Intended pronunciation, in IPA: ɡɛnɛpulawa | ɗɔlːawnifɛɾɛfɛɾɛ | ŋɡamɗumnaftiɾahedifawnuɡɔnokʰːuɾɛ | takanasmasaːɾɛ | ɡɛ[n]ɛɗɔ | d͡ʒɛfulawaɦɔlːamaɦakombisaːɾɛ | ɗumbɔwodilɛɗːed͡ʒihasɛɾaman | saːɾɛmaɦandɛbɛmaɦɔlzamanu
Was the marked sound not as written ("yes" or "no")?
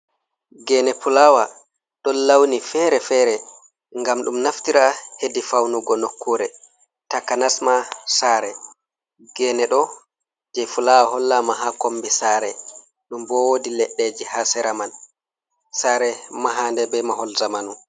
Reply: no